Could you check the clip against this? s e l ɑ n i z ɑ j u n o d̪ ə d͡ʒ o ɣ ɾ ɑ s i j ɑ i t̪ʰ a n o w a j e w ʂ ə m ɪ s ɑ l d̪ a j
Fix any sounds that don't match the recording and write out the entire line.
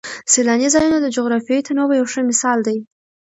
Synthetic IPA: s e l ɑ n i z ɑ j u n o d̪ ə d͡ʒ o ɣ ɾ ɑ f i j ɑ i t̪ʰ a n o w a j a w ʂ ə m ɪ s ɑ l d̪ a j